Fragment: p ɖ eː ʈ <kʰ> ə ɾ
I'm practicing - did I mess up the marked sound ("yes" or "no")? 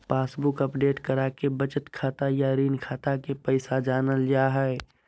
yes